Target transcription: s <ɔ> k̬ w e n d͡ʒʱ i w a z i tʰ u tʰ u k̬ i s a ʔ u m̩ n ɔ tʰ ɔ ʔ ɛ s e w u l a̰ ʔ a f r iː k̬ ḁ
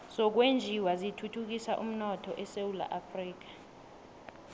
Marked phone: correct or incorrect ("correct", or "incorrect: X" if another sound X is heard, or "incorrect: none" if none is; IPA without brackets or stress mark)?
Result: correct